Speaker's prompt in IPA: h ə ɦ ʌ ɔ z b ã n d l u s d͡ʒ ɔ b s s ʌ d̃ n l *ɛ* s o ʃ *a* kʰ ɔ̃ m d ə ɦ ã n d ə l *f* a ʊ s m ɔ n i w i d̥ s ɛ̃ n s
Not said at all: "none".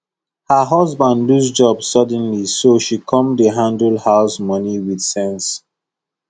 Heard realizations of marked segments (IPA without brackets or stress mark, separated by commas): i, i, h